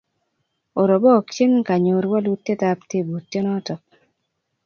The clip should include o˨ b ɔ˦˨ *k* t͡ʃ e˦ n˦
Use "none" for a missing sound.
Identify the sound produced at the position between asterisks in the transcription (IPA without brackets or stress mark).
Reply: k